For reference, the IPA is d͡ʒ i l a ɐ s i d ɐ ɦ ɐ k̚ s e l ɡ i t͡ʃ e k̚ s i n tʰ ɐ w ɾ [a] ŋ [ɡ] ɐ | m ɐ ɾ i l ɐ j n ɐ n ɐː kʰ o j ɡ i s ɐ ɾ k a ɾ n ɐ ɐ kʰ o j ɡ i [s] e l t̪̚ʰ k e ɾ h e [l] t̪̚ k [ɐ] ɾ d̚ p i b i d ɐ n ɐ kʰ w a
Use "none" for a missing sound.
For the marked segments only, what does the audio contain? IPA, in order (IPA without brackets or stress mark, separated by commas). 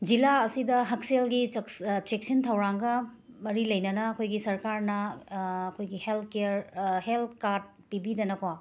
a, ɡ, h, l, a